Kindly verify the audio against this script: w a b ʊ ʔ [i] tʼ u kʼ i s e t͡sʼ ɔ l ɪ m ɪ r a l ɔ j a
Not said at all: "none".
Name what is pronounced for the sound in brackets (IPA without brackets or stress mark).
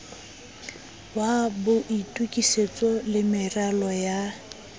i